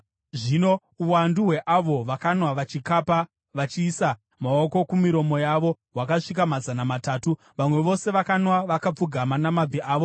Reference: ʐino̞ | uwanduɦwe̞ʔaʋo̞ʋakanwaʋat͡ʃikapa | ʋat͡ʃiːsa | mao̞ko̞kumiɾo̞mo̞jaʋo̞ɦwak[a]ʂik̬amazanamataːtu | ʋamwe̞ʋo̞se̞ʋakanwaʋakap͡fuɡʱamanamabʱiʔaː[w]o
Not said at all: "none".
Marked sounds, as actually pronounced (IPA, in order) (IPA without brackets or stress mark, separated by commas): a, ʋ